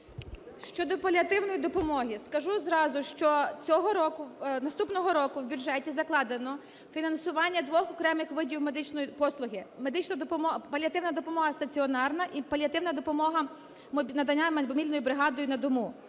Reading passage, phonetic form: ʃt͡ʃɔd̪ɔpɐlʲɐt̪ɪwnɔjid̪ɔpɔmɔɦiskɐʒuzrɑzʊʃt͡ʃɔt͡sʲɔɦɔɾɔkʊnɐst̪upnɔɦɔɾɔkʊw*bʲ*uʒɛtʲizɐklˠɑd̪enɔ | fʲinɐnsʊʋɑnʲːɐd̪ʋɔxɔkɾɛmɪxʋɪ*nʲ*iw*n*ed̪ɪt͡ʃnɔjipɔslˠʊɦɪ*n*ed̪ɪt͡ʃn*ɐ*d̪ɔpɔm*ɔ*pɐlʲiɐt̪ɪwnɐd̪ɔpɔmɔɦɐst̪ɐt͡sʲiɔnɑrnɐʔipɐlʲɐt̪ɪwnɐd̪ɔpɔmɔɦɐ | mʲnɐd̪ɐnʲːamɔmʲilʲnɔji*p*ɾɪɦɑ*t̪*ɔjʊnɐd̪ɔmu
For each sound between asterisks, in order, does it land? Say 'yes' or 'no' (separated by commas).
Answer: yes, no, no, no, yes, yes, no, no